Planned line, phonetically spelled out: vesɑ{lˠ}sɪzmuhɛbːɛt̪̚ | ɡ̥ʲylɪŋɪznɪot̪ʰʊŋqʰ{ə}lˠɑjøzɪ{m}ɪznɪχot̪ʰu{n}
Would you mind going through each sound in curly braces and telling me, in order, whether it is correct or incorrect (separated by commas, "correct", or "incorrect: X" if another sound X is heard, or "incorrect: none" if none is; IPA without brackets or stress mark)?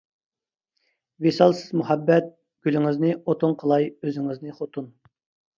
correct, correct, incorrect: ŋ, correct